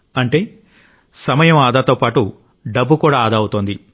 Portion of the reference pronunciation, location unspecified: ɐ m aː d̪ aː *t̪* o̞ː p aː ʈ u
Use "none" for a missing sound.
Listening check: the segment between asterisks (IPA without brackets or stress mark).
t̪